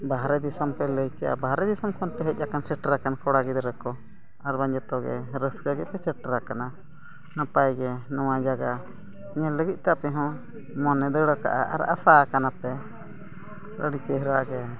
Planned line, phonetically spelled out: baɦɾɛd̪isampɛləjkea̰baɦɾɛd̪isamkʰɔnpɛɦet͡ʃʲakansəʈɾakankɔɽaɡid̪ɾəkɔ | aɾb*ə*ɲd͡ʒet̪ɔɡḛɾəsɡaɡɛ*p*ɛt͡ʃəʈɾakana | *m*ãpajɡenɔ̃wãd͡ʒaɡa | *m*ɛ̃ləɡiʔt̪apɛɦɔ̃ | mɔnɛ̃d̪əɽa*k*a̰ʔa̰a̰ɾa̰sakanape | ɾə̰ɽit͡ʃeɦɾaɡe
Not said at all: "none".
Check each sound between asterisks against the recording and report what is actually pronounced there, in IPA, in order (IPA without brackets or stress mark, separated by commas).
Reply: a, p, n, ɲ, k